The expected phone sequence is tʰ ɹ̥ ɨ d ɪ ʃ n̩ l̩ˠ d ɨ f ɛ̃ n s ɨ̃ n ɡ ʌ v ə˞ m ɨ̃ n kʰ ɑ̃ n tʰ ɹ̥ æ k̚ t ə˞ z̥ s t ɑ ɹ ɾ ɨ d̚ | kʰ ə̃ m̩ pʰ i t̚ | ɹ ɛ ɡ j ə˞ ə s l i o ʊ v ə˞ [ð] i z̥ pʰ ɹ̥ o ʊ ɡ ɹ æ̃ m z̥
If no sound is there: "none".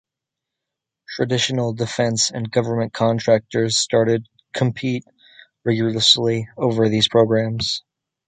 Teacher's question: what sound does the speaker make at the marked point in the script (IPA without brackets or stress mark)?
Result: ð